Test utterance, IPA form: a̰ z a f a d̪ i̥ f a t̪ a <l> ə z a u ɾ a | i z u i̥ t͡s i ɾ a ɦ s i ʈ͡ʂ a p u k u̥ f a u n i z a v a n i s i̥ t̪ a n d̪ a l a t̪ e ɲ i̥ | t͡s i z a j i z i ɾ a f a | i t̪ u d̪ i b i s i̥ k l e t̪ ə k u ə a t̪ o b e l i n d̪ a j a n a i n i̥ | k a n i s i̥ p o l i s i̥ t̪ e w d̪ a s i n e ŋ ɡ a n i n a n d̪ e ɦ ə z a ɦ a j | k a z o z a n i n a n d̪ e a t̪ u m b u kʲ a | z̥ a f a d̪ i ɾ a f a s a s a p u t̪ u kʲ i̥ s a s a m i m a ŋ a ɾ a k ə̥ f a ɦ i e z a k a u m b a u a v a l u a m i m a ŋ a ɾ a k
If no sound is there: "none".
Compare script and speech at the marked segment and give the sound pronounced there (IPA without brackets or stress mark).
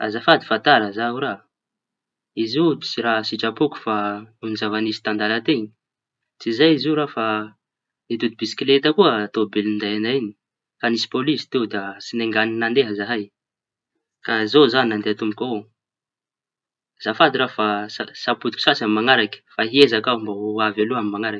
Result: ɾ